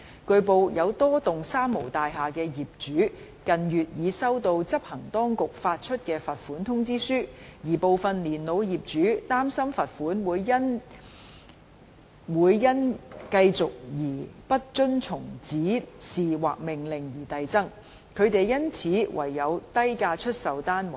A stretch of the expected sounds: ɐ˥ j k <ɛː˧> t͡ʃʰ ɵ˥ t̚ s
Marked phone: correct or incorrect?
incorrect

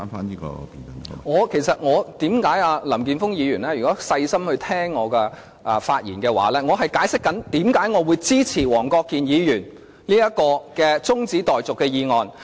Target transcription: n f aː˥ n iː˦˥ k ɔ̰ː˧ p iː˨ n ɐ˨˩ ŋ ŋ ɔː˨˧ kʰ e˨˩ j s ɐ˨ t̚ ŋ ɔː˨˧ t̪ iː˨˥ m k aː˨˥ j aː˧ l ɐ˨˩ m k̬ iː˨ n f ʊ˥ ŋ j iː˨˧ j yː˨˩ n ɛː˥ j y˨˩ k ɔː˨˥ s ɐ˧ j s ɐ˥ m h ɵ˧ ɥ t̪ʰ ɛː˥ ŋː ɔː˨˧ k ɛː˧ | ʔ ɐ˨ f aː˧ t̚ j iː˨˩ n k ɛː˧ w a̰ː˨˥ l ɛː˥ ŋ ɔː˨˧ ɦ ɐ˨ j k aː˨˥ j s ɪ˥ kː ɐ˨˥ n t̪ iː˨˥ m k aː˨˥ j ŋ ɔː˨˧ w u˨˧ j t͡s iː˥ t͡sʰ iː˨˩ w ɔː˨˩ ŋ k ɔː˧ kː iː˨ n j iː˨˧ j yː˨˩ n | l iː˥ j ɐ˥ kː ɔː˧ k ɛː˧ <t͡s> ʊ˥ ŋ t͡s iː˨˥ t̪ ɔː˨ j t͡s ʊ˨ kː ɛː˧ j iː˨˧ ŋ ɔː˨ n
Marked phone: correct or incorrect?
correct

